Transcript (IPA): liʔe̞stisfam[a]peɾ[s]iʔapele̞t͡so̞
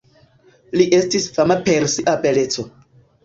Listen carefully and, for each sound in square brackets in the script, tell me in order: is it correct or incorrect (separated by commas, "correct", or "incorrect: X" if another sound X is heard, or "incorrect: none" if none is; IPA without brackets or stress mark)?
correct, correct